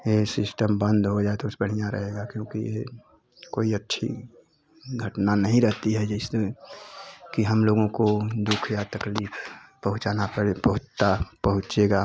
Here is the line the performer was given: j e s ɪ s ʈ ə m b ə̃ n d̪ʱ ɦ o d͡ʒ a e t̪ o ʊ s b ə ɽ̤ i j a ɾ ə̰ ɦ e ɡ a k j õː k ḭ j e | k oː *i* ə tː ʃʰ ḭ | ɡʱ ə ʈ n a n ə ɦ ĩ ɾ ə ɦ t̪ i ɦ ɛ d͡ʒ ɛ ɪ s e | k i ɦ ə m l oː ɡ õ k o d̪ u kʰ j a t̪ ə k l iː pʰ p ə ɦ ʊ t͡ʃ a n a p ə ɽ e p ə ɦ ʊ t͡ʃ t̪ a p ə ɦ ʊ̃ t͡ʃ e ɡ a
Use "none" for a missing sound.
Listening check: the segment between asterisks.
i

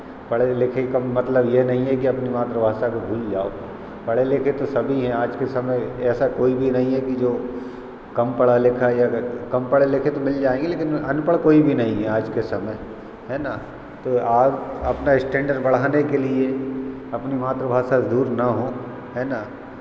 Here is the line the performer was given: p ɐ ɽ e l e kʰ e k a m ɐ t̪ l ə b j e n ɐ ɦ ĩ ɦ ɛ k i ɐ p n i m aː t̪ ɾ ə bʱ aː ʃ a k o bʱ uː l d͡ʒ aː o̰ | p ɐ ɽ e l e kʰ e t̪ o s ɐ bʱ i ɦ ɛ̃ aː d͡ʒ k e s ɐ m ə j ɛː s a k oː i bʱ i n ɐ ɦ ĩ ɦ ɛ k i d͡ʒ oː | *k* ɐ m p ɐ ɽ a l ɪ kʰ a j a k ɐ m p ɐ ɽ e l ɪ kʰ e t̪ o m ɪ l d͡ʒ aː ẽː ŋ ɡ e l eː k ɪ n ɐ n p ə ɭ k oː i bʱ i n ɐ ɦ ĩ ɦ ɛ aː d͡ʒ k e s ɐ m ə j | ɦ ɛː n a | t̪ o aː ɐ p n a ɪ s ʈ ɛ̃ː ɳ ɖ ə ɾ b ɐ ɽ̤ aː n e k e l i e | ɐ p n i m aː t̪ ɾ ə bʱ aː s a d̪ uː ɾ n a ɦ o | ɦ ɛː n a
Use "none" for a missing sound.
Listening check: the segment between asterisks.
k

